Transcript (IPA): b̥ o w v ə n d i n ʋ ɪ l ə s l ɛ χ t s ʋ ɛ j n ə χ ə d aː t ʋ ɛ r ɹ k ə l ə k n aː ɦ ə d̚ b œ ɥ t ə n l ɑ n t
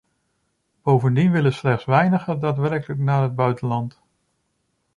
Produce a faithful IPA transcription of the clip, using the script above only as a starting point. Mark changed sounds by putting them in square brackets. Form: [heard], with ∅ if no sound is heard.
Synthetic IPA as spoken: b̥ o w v ə n d i n ʋ ɪ l ə s l ɛ χ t s ʋ ɛ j n ə χ ə d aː t ʋ ɛ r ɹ k ə l ə k n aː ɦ ə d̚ b œ ɥ t ə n l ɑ n t